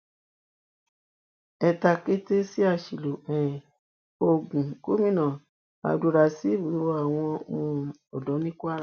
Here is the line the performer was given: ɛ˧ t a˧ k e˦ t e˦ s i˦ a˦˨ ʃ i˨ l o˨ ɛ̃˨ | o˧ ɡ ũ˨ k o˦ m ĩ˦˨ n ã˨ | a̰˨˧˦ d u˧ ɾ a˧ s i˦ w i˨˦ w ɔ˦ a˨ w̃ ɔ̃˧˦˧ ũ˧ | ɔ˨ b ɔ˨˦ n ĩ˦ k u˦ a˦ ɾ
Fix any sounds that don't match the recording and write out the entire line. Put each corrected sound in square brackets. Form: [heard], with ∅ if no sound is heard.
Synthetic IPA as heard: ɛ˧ t a˧ k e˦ t e˦ s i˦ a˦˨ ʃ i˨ l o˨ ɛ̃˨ | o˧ ɡ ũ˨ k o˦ m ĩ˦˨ n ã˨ | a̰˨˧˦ d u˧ ɾ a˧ s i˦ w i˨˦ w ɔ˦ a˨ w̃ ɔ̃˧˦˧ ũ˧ | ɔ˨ [d] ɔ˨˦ n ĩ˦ k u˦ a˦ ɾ